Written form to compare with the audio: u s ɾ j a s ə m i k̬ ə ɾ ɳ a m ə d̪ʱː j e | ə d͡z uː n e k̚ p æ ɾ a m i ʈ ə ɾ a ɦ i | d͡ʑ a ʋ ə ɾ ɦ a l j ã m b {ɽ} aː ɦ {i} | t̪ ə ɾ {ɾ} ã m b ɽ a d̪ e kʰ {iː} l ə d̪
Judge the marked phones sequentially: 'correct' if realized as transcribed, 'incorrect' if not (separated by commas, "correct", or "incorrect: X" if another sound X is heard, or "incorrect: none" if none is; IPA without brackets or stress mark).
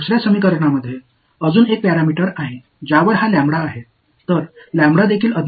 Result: correct, incorrect: e, incorrect: l, correct